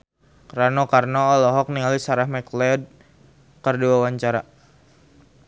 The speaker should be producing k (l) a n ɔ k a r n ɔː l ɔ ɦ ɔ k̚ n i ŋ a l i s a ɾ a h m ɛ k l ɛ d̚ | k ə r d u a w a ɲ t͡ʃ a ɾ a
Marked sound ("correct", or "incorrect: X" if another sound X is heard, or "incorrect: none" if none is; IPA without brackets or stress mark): incorrect: ɾ